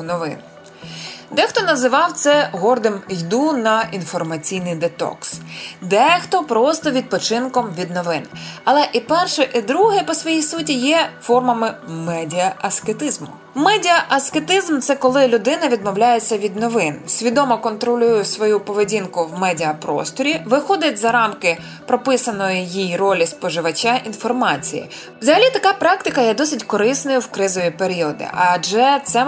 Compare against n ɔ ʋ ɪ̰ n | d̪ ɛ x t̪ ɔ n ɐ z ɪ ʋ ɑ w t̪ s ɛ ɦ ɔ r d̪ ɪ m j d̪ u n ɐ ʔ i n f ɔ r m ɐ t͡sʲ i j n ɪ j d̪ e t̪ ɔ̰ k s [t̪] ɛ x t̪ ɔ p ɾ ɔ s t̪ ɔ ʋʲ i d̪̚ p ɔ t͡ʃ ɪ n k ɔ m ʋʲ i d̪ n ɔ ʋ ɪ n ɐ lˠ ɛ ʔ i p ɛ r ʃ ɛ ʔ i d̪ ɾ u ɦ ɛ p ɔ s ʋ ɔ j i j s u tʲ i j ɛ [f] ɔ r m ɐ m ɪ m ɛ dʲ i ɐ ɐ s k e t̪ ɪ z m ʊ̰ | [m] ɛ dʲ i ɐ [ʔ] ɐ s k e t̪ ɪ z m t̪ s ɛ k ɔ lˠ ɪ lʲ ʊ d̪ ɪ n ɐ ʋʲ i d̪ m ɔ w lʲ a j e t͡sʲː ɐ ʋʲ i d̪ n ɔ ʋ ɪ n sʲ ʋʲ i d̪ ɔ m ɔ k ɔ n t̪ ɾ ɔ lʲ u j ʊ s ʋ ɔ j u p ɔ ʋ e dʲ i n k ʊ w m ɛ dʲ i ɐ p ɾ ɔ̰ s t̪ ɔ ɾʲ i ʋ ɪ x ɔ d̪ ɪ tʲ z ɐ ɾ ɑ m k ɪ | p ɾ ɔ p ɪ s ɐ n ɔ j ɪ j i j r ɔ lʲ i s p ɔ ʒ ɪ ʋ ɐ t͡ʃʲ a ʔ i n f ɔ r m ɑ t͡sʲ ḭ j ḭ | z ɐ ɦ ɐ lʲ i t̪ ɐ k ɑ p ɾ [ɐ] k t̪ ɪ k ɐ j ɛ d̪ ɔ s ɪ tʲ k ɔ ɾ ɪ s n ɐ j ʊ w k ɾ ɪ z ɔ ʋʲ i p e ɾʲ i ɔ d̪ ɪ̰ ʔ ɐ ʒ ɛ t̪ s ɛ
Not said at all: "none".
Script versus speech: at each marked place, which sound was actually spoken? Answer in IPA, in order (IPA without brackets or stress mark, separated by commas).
d̪, f, m, ʔ, ɑ